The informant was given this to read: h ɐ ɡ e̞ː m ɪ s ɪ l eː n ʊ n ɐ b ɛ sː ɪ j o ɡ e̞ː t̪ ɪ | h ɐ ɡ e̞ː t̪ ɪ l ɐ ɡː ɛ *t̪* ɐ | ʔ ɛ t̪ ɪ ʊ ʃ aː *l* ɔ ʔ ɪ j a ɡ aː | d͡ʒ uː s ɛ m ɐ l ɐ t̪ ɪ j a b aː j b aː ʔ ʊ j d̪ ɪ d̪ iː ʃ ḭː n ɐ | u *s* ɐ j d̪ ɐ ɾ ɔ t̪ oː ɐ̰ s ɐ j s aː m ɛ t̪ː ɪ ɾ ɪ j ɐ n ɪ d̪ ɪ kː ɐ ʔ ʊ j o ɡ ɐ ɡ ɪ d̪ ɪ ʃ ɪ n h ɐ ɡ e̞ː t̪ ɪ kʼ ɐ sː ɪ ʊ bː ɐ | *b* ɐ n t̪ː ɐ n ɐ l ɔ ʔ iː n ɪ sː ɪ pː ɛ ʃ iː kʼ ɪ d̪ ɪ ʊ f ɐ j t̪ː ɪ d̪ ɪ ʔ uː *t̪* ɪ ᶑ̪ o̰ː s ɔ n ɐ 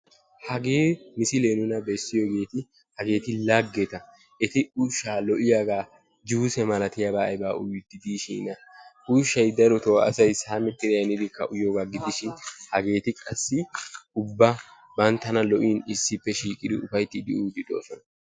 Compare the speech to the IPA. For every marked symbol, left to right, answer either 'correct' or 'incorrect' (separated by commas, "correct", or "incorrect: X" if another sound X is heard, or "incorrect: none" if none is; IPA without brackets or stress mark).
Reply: correct, correct, incorrect: ʃ, correct, incorrect: d̪